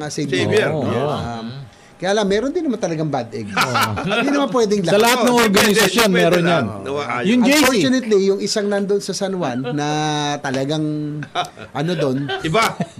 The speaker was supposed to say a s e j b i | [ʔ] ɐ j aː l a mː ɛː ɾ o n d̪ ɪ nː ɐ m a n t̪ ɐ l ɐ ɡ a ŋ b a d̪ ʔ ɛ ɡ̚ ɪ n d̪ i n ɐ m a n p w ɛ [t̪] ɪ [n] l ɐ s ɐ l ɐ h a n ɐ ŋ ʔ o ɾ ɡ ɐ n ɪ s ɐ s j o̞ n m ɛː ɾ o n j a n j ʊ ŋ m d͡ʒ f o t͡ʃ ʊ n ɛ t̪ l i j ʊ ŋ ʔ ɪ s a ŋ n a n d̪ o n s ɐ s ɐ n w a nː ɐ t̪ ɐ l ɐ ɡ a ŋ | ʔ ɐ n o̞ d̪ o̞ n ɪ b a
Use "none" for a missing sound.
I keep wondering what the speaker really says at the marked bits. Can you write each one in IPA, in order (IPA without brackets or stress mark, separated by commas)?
k, d̪, ŋ